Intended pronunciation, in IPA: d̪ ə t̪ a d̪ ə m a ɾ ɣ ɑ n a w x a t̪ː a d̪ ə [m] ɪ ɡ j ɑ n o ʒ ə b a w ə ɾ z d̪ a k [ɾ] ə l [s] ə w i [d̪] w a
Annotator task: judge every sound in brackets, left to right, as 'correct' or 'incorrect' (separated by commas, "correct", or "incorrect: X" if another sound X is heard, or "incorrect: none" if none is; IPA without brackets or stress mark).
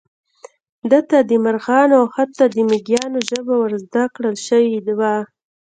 correct, incorrect: ɽ, incorrect: ʃ, correct